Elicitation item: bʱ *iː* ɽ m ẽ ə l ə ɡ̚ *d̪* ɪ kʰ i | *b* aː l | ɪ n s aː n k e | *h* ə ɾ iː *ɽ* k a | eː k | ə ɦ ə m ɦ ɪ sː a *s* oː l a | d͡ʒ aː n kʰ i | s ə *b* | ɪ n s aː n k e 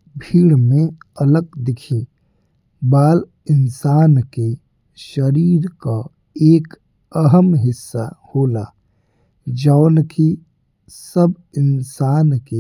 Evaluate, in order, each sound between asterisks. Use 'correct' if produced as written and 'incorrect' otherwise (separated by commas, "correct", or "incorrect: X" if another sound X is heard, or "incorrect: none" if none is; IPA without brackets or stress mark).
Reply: correct, correct, correct, incorrect: ʃ, incorrect: ɾ, incorrect: h, correct